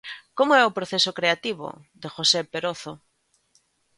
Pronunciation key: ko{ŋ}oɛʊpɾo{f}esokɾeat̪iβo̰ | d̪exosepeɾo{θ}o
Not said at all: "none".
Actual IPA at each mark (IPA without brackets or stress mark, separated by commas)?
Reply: m, θ, θ